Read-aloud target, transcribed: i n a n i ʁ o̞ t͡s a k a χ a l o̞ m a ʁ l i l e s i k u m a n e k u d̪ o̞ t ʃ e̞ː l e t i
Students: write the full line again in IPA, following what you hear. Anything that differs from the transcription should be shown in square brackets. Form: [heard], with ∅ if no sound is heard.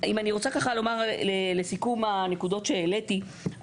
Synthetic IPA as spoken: i [m] a n i ʁ o̞ t͡s a k a χ a l o̞ m a ʁ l [e] l e s i k u m a n e k u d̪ o̞ t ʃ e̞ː l e t i